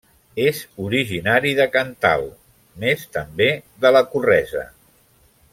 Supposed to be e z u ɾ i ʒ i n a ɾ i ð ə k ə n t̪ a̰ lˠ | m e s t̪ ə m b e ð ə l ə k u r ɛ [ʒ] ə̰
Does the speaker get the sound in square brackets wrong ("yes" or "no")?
yes